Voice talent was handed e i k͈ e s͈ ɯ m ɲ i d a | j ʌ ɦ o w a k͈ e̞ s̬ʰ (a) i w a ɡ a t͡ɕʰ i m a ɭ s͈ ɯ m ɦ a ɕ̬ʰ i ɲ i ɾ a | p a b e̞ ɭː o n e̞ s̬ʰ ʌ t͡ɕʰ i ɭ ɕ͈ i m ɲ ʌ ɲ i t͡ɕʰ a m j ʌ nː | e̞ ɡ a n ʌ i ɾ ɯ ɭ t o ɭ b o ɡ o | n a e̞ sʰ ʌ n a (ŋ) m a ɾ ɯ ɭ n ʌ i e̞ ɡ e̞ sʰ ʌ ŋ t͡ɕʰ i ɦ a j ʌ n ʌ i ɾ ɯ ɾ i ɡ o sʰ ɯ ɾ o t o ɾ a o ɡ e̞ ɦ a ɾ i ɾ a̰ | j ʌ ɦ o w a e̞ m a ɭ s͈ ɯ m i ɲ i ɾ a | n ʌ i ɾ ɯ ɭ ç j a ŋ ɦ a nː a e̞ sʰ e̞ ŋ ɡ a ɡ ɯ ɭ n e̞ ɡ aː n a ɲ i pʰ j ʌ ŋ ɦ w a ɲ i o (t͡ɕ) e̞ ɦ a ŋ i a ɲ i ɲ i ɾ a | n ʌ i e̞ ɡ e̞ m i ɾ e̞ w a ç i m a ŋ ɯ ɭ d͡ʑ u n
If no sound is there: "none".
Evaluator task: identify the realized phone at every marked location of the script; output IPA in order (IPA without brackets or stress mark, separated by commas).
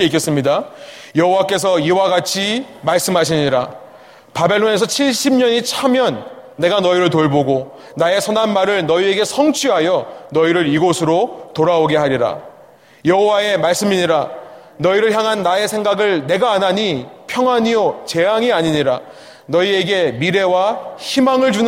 ʌ, n, t͡ɕ